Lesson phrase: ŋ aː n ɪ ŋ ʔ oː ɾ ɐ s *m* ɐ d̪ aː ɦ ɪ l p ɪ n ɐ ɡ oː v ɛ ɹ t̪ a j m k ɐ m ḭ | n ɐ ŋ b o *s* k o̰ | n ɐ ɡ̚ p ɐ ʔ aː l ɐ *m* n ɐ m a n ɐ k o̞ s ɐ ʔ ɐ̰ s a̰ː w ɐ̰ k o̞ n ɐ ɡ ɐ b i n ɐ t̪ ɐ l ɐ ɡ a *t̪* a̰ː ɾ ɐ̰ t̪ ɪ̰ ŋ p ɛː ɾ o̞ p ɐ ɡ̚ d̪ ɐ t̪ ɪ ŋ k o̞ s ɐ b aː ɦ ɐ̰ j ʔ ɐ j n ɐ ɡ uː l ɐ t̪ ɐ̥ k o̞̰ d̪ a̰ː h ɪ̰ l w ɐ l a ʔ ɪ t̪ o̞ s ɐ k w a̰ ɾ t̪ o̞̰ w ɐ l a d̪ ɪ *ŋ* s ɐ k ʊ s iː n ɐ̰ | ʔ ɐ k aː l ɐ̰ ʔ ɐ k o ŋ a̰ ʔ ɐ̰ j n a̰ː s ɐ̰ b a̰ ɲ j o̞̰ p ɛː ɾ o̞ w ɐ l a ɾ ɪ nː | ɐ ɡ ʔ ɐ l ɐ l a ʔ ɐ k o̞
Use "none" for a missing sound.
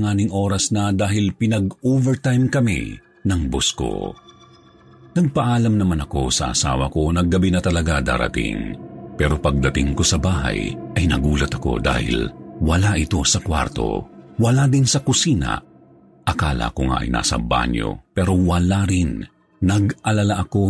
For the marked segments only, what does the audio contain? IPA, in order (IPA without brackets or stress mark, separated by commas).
n, s, m, d̪, n